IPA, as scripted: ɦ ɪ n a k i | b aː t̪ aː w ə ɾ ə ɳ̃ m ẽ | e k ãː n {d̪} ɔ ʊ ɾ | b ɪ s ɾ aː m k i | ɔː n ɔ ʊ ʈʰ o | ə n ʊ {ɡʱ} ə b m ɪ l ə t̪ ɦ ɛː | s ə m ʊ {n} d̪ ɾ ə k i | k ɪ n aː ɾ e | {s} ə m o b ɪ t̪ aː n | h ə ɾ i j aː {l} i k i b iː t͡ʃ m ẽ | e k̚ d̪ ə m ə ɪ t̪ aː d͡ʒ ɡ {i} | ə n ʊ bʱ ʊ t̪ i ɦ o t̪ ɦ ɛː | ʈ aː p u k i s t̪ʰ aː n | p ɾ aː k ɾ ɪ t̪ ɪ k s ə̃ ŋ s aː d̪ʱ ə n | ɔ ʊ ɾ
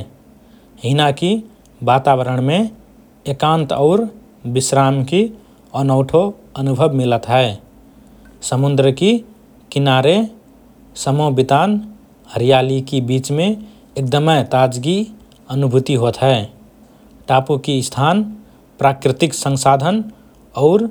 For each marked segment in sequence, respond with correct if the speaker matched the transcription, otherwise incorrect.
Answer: incorrect: t̪, incorrect: bʱ, correct, correct, correct, correct

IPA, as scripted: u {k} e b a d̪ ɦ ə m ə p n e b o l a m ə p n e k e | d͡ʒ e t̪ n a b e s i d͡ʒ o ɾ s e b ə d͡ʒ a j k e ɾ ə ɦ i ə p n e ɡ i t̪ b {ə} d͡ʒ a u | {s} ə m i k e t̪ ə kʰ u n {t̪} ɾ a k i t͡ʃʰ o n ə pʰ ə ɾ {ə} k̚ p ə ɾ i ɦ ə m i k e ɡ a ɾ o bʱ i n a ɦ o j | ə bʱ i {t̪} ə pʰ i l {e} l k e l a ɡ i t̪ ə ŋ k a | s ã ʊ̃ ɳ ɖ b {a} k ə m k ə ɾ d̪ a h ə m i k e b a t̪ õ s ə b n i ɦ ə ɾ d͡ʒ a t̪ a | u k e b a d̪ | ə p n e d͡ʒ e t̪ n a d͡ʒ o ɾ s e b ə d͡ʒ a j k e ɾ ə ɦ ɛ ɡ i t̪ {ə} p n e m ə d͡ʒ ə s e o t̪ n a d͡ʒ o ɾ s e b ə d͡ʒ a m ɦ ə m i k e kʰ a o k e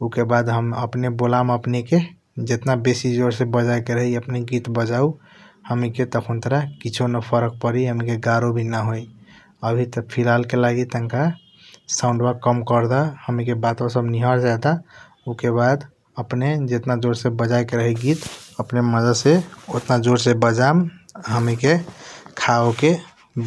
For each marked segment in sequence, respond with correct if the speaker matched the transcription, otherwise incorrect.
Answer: correct, correct, incorrect: h, correct, correct, correct, incorrect: a, correct, correct

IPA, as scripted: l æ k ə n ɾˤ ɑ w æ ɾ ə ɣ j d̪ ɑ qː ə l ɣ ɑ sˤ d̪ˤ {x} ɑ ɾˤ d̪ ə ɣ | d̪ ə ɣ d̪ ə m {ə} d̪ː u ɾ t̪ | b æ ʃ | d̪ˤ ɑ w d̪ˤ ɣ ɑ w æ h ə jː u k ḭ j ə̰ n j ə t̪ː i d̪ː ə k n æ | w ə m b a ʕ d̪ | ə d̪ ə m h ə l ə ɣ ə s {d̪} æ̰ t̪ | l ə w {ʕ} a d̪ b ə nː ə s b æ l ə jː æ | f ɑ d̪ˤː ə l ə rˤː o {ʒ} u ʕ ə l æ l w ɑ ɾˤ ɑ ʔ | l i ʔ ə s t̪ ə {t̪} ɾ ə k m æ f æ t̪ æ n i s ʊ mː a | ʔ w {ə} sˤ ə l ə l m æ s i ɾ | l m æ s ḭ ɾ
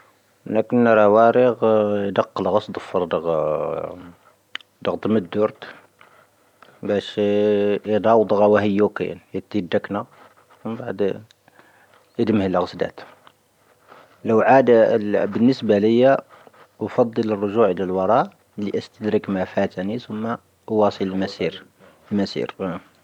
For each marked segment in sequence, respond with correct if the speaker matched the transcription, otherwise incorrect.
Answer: incorrect: f, correct, correct, correct, correct, incorrect: d̪, incorrect: ɑ

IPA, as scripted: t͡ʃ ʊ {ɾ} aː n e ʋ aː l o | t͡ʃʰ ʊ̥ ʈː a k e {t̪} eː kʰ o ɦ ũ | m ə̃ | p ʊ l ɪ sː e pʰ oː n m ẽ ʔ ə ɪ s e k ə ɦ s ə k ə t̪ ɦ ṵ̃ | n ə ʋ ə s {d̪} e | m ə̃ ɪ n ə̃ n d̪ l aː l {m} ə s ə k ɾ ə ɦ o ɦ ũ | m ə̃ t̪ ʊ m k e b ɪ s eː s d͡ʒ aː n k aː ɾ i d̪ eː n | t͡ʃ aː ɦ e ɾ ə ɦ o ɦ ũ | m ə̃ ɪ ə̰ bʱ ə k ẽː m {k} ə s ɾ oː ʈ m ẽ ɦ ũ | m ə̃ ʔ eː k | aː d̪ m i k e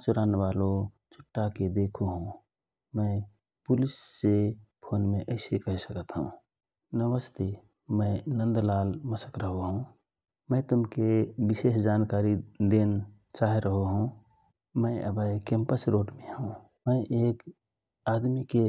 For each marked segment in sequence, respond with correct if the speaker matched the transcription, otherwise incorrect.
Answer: correct, incorrect: d̪, incorrect: t̪, correct, incorrect: p

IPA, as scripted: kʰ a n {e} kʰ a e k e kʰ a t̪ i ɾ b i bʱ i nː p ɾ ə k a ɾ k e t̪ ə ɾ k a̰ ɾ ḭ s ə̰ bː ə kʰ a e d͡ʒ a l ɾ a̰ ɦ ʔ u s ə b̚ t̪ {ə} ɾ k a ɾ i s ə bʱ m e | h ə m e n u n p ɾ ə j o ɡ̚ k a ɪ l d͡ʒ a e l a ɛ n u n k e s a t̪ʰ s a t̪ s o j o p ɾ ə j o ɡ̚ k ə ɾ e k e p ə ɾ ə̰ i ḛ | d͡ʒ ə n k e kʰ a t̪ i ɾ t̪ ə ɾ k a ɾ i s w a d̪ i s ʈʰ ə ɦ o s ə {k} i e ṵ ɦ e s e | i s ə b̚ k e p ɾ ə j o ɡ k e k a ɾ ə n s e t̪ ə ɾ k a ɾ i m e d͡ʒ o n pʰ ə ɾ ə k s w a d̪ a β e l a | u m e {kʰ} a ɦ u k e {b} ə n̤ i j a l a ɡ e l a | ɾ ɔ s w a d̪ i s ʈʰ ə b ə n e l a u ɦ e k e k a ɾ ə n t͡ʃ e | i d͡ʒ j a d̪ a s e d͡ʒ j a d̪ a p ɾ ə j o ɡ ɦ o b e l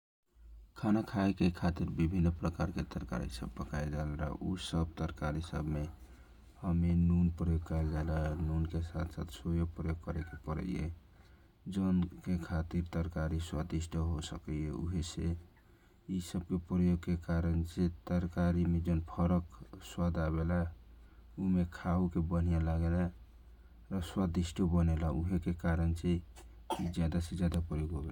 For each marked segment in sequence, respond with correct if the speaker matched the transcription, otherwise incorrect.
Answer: incorrect: a, correct, correct, correct, correct

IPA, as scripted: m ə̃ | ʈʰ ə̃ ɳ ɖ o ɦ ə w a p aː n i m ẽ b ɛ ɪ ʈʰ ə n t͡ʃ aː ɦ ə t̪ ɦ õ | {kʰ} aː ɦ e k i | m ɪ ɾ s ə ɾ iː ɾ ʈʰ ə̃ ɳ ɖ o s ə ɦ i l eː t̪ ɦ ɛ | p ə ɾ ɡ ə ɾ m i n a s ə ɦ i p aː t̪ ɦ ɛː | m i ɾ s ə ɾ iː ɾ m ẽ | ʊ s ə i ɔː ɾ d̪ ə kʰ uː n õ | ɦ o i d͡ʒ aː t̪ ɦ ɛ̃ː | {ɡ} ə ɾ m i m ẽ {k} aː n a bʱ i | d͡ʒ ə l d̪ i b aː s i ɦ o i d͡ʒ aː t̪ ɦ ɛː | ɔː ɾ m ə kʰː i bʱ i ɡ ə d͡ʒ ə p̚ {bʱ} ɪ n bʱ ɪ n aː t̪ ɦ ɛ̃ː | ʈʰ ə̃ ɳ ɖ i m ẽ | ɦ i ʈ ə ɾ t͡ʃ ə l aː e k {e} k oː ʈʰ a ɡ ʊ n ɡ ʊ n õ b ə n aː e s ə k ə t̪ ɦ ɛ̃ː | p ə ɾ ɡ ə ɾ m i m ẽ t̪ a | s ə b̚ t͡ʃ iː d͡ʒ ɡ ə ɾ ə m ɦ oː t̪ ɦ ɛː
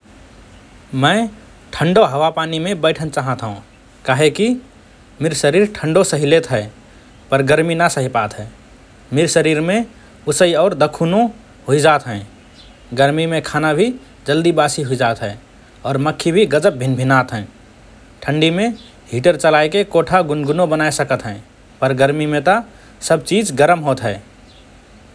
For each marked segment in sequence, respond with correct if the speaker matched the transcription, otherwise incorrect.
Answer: incorrect: k, correct, incorrect: kʰ, correct, correct

